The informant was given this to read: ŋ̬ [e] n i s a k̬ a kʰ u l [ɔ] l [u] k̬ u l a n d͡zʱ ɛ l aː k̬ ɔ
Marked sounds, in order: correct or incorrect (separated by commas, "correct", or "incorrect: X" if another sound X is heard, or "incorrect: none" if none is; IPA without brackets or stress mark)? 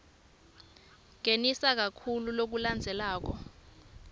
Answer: correct, incorrect: u, incorrect: o